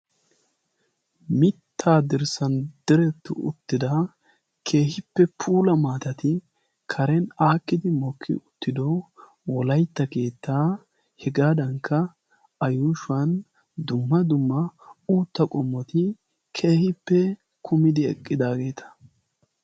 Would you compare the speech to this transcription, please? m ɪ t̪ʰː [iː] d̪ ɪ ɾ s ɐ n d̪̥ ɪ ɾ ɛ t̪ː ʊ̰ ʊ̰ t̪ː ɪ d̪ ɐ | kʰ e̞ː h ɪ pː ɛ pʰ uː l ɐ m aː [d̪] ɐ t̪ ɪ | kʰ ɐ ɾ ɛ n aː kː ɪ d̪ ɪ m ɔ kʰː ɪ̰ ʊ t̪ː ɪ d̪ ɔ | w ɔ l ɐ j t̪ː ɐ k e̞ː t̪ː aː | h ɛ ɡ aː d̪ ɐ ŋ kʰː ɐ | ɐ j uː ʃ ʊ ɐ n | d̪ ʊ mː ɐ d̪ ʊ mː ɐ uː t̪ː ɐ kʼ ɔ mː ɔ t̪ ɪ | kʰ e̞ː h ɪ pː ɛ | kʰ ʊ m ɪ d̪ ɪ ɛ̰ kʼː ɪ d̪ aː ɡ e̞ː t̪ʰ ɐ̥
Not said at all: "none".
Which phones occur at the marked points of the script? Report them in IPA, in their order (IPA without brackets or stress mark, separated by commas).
aː, t̪